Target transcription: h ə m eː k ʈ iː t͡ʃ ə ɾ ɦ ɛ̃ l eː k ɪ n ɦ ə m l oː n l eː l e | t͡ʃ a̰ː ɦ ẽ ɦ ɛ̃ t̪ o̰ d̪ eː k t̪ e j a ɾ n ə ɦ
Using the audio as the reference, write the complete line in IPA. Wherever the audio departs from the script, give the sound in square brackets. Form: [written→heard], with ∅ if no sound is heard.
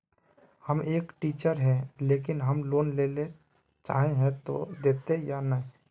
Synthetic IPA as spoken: h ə m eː k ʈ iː t͡ʃ ə ɾ ɦ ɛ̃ l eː k ɪ n ɦ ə m l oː n l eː l e | t͡ʃ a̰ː ɦ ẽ ɦ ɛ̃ t̪ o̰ d̪ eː [k→∅] t̪ e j a [ɾ→∅] n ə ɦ